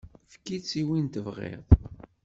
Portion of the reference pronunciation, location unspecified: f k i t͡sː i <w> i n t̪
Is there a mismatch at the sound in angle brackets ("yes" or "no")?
no